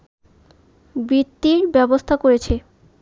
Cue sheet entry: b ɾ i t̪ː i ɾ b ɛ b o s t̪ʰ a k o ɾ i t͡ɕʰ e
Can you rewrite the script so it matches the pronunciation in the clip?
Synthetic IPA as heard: b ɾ i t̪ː i ɾ b ɛ b o s t̪ʰ a k o ɾ e t͡ɕʰ e